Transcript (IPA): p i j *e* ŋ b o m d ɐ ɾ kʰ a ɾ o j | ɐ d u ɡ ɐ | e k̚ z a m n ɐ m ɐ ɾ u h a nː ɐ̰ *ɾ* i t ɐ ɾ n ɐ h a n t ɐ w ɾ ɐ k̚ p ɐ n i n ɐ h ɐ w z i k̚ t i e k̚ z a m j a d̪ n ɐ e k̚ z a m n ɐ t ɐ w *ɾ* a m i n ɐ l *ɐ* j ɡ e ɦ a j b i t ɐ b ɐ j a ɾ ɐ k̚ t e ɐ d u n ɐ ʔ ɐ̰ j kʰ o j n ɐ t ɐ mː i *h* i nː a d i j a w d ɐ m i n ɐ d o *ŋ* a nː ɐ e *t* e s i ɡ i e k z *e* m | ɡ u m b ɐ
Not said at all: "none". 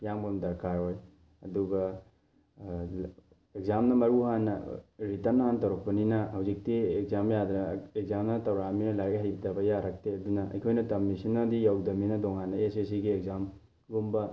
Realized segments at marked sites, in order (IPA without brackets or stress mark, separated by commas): a, ɾ, ɾ, a, s, ŋ, s, a